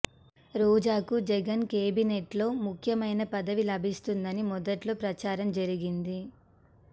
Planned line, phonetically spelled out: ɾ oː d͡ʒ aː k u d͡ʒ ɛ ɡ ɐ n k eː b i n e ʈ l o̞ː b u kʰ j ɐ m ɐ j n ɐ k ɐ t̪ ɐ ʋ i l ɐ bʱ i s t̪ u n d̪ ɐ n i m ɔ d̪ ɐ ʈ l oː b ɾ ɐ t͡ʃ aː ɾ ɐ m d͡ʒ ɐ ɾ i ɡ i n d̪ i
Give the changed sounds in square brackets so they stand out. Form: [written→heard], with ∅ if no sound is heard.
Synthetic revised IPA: ɾ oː d͡ʒ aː k u d͡ʒ ɛ ɡ ɐ n k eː b i n e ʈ l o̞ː [b→m] u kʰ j ɐ m ɐ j n ɐ [k→p] ɐ [t̪→d̪] ɐ ʋ i l ɐ bʱ i s t̪ u n d̪ ɐ n i m ɔ d̪ ɐ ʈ l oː [b→p] ɾ ɐ t͡ʃ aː ɾ ɐ m d͡ʒ ɐ ɾ i ɡ i n d̪ i